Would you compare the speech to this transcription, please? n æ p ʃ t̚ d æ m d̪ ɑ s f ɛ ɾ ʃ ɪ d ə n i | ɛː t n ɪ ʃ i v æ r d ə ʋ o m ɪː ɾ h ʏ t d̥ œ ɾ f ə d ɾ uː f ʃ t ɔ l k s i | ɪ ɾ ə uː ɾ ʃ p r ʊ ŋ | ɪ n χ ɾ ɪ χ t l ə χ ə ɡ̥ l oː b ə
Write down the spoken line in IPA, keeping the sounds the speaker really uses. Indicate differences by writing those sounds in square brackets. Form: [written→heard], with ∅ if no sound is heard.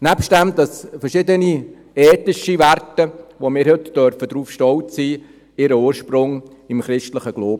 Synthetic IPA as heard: n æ p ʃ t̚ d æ m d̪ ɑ s f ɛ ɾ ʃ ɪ d ə n i | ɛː t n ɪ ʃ i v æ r [d→t] ə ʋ o m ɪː ɾ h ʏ t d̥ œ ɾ f ə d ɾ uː f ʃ t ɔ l [k→t] s [i→iː] | ɪ ɾ ə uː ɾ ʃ p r ʊ ŋ | ɪ [n→m] χ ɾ ɪ [χ→ʃ] t l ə χ ə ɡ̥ l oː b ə